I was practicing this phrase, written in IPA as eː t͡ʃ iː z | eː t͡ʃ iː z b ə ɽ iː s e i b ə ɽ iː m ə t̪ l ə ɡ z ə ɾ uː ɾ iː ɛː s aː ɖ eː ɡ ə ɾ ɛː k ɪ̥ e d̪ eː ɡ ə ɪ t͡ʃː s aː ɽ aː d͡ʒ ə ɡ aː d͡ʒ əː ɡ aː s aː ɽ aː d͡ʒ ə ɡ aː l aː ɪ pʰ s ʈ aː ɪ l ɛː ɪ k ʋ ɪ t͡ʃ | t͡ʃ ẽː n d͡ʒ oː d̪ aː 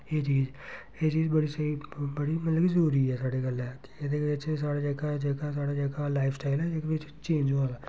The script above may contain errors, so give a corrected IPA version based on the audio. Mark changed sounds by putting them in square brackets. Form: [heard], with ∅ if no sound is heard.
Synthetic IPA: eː t͡ʃ iː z | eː t͡ʃ iː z b ə ɽ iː s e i b ə ɽ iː m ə t̪ l ə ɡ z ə ɾ uː ɾ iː ɛː s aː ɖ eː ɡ ə [l] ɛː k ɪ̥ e d̪ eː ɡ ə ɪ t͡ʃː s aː ɽ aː d͡ʒ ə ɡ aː d͡ʒ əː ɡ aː s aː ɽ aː d͡ʒ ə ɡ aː l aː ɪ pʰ s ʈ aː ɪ l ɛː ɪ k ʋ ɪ t͡ʃ | t͡ʃ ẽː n d͡ʒ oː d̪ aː